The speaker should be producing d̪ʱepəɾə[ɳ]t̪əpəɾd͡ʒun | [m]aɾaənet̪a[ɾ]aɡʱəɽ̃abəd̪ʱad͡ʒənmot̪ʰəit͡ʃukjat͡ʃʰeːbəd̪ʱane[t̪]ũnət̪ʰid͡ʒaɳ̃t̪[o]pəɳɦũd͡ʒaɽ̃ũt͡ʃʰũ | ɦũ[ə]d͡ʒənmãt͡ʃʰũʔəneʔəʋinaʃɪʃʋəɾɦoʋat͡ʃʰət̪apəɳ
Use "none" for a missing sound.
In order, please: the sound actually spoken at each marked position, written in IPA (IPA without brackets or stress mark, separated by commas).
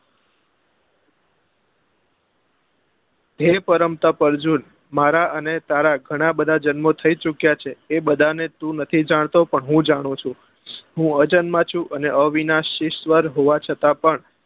m, m, ɾ, t̪, o, ə